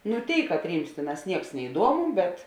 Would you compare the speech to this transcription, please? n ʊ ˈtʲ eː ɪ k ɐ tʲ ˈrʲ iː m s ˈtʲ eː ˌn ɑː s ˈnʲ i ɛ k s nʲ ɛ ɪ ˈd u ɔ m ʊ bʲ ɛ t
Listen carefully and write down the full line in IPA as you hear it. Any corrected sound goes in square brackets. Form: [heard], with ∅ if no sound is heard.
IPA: n ʊ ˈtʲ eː ɪ k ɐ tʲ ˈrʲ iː m s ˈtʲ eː ˌn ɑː s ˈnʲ i ɛ k s nʲ ɛ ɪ ˈd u ɔ m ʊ bʲ ɛ t

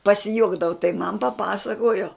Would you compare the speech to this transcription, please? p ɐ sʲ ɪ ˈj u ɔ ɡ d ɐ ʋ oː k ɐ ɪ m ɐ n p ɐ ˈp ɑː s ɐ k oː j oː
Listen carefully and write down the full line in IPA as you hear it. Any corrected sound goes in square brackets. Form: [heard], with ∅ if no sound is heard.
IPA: p ɐ sʲ ɪ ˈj u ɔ ɡ d ɐ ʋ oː [t] ɐ ɪ m ɐ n p ɐ ˈp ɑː s ɐ k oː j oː

